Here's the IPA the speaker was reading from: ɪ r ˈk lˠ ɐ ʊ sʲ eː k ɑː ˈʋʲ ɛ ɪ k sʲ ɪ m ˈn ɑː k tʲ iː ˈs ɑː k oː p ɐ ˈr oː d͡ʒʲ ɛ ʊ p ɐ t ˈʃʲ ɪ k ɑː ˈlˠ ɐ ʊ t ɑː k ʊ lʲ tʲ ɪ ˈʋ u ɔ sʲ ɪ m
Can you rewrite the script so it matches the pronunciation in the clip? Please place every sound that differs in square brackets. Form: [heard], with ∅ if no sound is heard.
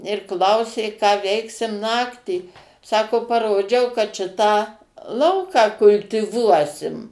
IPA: ɪ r ˈk lˠ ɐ ʊ sʲ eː k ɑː ˈʋʲ ɛ ɪ k sʲ ɪ m ˈn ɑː k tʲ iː ˈs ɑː k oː p ɐ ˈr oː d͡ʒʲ ɛ ʊ [k] ɐ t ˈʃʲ ɪ [t] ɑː ˈlˠ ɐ ʊ [k] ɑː k ʊ lʲ tʲ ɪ ˈʋ u ɔ sʲ ɪ m